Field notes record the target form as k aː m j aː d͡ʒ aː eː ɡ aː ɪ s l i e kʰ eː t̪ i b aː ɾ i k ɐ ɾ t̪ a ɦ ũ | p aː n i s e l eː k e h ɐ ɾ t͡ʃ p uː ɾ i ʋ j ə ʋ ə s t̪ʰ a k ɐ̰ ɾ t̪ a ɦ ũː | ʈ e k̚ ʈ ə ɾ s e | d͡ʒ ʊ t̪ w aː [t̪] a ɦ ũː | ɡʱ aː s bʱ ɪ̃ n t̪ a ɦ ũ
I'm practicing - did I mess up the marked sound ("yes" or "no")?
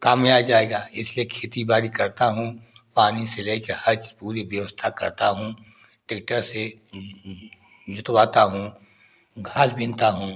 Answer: no